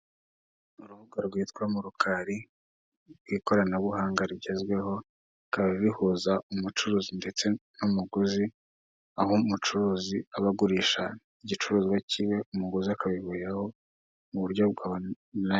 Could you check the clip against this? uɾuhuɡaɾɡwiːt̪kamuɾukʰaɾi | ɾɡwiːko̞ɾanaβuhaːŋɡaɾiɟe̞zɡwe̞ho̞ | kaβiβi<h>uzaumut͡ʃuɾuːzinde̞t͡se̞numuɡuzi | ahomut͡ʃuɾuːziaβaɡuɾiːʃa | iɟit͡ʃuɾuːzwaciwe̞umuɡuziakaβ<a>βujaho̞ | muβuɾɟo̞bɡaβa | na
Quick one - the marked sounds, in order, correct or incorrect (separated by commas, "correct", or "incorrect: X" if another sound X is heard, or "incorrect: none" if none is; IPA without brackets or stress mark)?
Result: correct, incorrect: i